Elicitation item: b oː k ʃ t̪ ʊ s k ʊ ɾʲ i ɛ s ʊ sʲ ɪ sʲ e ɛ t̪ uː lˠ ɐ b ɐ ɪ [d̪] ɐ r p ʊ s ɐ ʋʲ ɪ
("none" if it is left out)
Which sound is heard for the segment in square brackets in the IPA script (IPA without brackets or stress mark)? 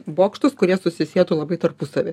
t̪